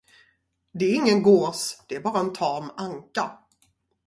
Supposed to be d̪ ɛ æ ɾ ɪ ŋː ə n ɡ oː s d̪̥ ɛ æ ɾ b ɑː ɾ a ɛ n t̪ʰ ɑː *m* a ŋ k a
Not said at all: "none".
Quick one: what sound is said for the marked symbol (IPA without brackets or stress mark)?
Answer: m